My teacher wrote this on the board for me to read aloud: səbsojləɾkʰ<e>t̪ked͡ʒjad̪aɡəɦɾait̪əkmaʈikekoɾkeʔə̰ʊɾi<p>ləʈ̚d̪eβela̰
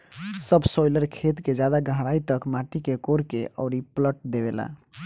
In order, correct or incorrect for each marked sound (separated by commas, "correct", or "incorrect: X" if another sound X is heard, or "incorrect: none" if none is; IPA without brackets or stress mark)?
correct, correct